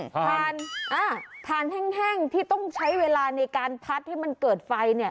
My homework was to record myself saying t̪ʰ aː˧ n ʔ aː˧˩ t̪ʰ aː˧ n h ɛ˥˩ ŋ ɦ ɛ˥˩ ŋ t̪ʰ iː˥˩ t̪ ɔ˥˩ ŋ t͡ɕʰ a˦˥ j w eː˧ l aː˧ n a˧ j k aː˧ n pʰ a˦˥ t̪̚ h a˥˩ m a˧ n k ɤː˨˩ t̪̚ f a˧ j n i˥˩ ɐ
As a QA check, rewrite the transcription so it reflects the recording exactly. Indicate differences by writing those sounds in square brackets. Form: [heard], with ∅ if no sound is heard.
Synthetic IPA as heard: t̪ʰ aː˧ n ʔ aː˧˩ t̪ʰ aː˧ n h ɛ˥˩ ŋ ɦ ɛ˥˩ ŋ t̪ʰ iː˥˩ t̪ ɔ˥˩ ŋ t͡ɕʰ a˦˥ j w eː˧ l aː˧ n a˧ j k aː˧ n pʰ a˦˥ t̪̚ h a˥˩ m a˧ n k ɤː˨˩ t̪̚ f a˧ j n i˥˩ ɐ